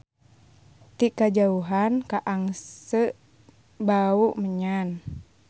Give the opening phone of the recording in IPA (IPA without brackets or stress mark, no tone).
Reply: t̪